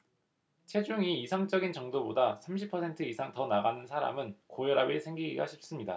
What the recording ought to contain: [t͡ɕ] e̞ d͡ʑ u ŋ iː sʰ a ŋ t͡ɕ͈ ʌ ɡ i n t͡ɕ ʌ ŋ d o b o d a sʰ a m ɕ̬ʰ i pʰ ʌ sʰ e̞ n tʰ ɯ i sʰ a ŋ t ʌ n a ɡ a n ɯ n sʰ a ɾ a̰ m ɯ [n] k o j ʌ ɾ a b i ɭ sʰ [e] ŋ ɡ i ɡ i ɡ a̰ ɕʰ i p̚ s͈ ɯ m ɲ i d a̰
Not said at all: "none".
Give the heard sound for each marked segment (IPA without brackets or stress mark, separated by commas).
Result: t͡ɕʰ, n, e